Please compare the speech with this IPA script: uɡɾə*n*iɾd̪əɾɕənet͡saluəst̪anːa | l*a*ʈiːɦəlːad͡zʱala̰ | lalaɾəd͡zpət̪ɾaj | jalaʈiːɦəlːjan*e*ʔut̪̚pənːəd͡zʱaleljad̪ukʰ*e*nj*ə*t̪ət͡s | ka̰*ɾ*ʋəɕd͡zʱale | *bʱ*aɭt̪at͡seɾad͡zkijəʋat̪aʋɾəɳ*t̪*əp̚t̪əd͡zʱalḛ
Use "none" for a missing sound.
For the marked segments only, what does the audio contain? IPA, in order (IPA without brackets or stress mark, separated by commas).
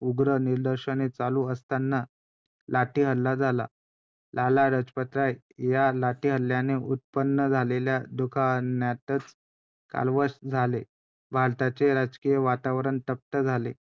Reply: n, a, e, a, a, l, bʱ, t̪